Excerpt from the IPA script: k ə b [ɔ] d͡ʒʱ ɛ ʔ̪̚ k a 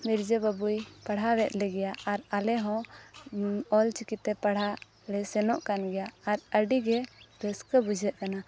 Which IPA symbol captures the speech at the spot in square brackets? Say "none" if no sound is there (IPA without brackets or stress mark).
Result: u